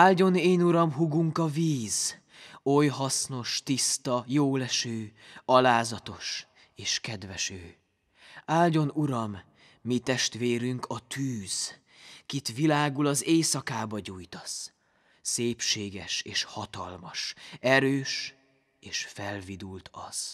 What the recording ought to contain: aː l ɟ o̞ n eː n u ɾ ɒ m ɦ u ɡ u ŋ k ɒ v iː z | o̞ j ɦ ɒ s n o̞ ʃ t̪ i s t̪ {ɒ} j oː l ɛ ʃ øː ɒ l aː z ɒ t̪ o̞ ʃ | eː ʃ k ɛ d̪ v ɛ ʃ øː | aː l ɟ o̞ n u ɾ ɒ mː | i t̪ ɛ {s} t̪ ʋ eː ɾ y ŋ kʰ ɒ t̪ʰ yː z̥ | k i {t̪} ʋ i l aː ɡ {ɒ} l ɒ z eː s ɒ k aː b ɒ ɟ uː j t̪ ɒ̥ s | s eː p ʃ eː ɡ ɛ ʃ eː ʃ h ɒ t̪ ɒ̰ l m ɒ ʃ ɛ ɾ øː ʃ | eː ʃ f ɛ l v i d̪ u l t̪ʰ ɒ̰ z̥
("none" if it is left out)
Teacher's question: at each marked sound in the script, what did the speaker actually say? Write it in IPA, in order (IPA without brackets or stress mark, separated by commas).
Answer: ɒ, ʃ, t̪, u